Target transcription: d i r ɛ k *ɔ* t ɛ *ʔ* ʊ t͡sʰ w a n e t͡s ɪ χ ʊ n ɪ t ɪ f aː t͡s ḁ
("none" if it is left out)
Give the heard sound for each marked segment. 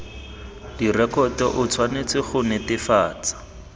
ɔ, ʔ

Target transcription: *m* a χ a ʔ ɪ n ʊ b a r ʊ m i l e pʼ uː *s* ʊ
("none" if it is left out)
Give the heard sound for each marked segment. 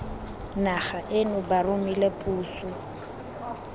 n, s

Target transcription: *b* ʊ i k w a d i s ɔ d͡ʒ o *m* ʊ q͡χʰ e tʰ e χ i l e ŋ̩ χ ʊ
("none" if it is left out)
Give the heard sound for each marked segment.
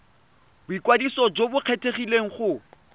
b, b

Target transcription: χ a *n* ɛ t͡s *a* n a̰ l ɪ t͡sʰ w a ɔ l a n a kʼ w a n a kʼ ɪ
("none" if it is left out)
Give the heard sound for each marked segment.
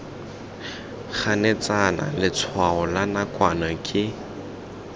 n, a

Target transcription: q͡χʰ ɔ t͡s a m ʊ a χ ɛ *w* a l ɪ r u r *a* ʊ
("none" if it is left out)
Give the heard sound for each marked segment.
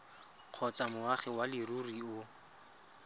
w, i

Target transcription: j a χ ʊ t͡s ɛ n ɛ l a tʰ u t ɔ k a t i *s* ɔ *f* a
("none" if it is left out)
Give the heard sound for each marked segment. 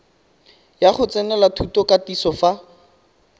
s, f

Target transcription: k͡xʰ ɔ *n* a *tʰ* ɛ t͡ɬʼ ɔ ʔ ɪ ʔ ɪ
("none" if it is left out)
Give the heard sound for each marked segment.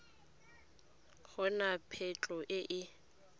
n, pʰ

